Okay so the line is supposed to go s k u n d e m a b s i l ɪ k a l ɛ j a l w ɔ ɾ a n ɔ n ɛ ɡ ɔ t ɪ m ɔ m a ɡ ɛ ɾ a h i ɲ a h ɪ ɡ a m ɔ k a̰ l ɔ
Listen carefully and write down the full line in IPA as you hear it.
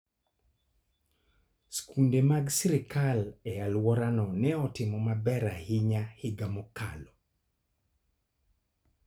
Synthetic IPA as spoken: s k u n d e m a ɡ s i ɾ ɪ k a l ɛ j a l w ɔ ɾ a n ɔ n ɛ ɔ t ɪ m ɔ m a b ɛ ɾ a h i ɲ a h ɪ ɡ a m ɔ k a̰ l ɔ